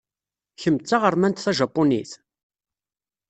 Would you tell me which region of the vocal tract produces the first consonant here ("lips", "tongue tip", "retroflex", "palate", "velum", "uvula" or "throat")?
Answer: palate